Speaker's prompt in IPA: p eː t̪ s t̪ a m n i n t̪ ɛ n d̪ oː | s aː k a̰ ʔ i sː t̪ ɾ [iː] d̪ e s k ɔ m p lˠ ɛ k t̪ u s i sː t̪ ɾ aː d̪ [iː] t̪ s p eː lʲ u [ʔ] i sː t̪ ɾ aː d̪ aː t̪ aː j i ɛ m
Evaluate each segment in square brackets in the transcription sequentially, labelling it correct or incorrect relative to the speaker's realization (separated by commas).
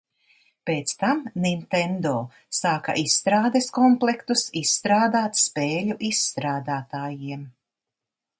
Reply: incorrect, incorrect, correct